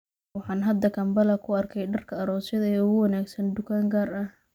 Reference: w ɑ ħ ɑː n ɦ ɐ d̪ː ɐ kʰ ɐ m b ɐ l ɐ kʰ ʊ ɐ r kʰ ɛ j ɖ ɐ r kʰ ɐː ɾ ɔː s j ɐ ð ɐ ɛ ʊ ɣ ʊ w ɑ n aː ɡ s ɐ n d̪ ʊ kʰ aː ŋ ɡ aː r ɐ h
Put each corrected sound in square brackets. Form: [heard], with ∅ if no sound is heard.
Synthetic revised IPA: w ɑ ħ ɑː n ɦ ɐ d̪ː ɐ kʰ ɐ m b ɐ l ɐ kʰ ʊ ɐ r kʰ ɛ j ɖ ɐ r kʰ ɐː ɾ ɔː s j ɐ ð ɐ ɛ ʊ ɣ ʊ w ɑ n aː ɡ s ɐ n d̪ ʊ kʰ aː ŋ ɡ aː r ɐ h